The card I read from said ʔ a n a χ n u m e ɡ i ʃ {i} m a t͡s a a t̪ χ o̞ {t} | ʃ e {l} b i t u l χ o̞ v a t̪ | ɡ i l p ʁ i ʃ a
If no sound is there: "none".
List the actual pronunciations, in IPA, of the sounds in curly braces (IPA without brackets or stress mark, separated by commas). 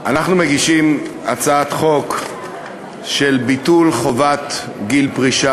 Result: i, k, l